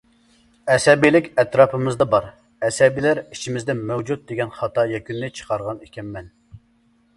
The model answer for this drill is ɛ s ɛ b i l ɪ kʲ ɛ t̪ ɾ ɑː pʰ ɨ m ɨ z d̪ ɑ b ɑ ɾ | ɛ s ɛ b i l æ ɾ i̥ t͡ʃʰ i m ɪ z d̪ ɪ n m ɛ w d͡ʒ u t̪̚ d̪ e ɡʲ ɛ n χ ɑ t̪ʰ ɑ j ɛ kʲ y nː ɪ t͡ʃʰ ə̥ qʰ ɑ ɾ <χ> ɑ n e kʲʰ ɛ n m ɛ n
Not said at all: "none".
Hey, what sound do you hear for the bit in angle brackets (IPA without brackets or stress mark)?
ʁ